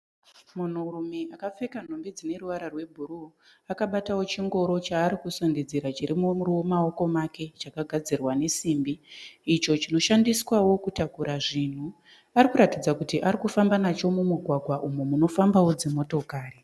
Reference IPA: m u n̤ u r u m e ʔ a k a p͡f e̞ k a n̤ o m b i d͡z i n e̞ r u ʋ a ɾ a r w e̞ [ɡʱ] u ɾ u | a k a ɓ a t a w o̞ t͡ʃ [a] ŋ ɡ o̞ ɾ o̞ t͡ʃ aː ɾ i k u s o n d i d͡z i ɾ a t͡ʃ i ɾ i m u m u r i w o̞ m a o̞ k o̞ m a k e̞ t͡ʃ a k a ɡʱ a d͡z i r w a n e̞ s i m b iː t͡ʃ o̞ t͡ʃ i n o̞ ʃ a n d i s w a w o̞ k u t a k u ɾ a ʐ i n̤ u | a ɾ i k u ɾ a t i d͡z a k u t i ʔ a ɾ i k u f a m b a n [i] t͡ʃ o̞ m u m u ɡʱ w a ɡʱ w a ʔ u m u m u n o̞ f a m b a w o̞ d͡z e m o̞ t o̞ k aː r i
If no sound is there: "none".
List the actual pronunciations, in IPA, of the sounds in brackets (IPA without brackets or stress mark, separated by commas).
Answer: bʱ, i, a